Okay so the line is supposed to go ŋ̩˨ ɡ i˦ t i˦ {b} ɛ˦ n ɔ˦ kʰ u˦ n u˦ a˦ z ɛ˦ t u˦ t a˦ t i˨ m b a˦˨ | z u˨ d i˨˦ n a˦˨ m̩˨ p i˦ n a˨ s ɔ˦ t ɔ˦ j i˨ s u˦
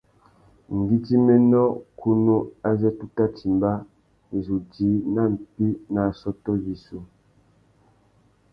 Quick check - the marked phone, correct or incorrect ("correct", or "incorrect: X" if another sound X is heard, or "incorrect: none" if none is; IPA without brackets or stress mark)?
incorrect: m